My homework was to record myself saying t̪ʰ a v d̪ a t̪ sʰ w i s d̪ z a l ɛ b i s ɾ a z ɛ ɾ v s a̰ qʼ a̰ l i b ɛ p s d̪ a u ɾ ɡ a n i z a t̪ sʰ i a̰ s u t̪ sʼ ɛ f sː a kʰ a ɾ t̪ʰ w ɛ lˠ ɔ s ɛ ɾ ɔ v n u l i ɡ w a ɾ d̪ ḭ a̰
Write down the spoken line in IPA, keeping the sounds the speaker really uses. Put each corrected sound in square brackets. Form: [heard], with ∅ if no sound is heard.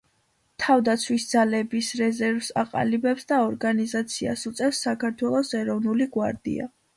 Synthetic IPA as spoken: t̪ʰ a v d̪ a t̪ sʰ w i s d̪ z a l ɛ b i s ɾ [ɛ] z ɛ ɾ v s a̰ qʼ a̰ l i b ɛ p s d̪ a [ɔ] ɾ ɡ a n i z a t̪ sʰ i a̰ s u t̪ sʼ ɛ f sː a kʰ a ɾ t̪ʰ w ɛ lˠ ɔ s ɛ ɾ ɔ v n u l i ɡ w a ɾ d̪ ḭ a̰